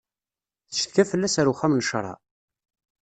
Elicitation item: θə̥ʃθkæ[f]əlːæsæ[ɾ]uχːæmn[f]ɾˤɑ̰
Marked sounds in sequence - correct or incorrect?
correct, correct, incorrect: ʃ

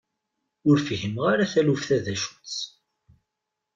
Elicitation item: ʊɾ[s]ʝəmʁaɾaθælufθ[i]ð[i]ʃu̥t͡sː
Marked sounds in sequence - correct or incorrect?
incorrect: f, incorrect: æ, incorrect: æ

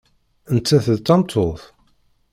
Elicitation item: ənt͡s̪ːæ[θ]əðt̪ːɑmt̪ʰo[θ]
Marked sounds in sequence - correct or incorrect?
correct, correct

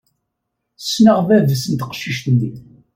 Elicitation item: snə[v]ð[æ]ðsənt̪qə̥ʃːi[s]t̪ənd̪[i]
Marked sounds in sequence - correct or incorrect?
incorrect: ʁ, correct, incorrect: ʃ, correct

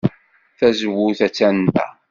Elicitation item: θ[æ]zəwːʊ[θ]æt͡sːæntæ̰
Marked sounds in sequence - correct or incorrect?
correct, correct

